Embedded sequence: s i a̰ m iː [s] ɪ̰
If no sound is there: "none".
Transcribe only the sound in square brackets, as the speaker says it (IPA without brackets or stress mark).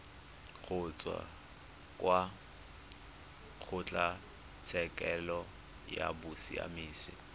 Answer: s